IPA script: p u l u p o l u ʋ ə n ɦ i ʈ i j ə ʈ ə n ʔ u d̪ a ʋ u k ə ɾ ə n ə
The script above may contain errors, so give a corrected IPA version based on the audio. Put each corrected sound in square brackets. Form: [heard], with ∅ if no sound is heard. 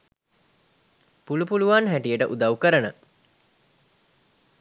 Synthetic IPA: p u l u p [u] l u ʋ [a] n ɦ [æ] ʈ i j ə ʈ ə [∅] ʔ u d̪ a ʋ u k ə ɾ ə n ə